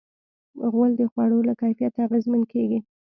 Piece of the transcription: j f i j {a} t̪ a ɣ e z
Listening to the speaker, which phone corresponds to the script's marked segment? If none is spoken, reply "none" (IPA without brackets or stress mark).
a